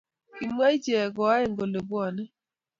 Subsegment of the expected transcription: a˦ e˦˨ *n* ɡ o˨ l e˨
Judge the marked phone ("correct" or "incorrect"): incorrect